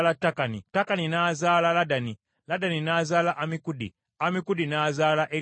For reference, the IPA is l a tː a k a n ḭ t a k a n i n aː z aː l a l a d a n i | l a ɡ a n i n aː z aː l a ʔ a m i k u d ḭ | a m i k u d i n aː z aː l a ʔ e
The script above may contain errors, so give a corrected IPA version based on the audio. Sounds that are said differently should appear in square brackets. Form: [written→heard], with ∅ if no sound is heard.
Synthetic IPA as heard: l a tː a k a n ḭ t a k a n i n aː z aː l a l a d a n i | l a [ɡ→d] a n i n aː z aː l a ʔ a m i k u d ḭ | a m i k u d i n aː z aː l a ʔ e